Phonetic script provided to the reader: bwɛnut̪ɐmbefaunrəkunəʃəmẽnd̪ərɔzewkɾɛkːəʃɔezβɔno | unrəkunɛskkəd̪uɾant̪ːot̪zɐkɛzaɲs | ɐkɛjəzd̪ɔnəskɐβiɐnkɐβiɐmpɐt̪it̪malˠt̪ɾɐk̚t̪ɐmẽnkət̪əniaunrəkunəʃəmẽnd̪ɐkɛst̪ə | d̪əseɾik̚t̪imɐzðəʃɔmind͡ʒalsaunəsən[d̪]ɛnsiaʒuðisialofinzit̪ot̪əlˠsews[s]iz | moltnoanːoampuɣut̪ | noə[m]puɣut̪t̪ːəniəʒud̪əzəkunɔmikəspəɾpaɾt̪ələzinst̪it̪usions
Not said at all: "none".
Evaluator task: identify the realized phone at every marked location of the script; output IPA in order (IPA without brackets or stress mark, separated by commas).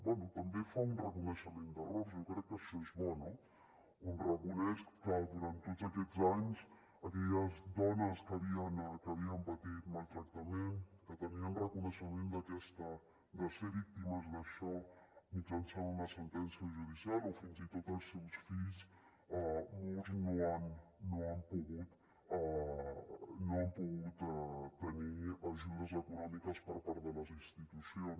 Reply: t̪, f, m